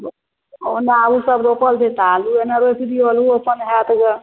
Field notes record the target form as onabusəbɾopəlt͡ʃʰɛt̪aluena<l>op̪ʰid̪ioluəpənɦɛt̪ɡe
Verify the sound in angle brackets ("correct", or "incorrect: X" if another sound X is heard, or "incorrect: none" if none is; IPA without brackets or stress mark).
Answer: incorrect: ɾ